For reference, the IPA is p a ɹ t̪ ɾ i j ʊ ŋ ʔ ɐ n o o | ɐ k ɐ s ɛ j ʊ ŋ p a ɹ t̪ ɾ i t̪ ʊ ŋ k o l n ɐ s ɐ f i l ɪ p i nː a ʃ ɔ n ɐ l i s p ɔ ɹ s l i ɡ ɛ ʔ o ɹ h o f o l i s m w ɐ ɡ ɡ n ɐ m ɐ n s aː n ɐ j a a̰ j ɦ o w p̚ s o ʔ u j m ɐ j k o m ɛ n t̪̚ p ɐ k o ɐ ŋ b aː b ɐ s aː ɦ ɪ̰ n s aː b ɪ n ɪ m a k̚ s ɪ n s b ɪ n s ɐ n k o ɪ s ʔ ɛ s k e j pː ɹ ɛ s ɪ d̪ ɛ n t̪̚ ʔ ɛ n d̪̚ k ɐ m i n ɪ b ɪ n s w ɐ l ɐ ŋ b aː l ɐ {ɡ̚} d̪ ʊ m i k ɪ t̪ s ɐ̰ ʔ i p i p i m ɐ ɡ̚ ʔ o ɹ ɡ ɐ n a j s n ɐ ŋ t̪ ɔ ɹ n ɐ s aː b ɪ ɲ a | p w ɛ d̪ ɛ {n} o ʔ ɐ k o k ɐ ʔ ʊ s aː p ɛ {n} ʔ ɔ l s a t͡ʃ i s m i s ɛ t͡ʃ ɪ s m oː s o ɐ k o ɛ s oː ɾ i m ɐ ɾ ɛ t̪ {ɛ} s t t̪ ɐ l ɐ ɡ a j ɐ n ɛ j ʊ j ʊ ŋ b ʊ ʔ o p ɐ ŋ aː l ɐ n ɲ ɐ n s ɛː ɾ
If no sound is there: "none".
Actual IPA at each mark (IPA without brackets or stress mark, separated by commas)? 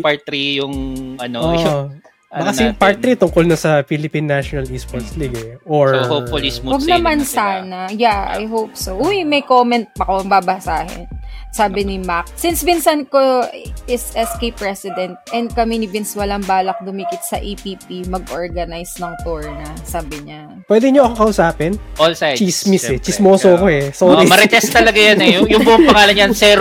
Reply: k̚, ɲ, n, ɛ